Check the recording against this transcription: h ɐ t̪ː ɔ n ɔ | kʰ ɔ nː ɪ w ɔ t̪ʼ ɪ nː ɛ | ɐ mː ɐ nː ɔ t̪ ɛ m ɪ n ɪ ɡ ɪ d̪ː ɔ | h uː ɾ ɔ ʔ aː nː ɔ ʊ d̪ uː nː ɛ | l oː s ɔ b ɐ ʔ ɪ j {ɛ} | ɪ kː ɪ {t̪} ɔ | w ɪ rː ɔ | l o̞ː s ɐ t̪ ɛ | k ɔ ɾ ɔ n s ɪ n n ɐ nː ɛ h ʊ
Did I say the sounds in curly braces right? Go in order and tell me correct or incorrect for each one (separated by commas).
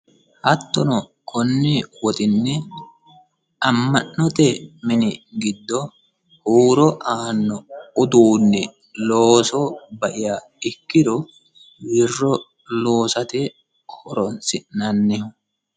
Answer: incorrect, incorrect